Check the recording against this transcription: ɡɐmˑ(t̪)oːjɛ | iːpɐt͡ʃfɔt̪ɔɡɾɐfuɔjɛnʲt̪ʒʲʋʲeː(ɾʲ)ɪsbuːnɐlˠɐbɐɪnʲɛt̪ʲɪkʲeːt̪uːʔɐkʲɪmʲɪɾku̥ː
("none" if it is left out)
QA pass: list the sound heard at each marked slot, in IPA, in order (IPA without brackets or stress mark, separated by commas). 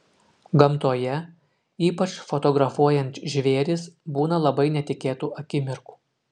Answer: t̪, ɾʲ